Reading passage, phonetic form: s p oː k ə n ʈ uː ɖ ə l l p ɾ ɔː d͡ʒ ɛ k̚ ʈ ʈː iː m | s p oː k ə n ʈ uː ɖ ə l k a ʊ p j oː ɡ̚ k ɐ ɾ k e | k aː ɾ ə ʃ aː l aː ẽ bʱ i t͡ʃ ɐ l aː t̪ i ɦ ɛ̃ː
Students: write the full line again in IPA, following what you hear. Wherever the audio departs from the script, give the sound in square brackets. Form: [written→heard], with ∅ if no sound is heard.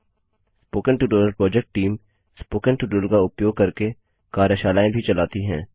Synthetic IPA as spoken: s p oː k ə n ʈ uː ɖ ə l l p ɾ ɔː d͡ʒ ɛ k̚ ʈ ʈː iː m | s p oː k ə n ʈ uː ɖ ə l k a ʊ p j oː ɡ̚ k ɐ ɾ k e | k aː ɾ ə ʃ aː l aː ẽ bʱ i t͡ʃ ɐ l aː t̪ i ɦ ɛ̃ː